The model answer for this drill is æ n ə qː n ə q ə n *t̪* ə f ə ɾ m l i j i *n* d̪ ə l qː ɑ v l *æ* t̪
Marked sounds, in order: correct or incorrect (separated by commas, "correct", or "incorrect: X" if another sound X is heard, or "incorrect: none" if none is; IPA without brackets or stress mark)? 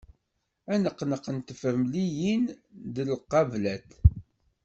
correct, correct, correct